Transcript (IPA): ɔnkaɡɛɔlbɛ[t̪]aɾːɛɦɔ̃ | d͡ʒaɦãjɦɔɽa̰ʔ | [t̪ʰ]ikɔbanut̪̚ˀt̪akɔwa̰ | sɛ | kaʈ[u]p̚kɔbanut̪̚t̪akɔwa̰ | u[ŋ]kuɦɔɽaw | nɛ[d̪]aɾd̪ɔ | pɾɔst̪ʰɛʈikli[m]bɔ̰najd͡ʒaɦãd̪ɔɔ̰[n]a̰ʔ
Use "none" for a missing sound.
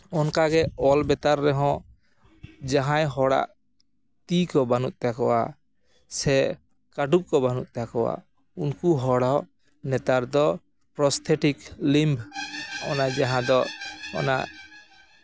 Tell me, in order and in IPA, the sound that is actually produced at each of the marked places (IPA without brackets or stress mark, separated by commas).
t̪, t̪, u, n, t̪, m, n